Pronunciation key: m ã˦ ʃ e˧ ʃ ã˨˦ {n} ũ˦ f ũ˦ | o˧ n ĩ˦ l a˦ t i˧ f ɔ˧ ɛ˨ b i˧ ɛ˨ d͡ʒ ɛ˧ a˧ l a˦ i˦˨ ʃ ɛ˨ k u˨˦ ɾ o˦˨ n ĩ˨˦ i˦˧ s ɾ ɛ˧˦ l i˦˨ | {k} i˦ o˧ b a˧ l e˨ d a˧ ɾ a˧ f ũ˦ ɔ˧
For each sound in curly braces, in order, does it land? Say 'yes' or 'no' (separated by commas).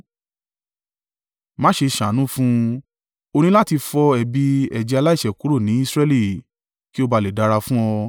yes, yes